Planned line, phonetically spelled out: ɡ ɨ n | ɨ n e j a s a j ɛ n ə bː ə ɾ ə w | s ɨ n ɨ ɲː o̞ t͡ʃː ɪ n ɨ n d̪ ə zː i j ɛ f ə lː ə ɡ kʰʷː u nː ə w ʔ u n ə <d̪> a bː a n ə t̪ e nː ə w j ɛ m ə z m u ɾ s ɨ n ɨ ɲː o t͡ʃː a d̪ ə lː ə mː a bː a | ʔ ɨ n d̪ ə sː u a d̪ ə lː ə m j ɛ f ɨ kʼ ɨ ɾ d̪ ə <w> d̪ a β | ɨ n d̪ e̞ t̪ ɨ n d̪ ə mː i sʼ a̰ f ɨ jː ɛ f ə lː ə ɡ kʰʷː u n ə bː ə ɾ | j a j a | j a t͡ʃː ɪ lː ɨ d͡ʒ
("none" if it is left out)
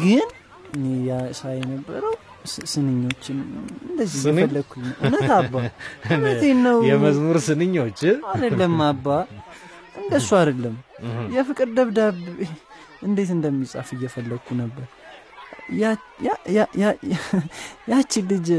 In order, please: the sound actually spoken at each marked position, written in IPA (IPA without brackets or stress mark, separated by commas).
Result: t̪, β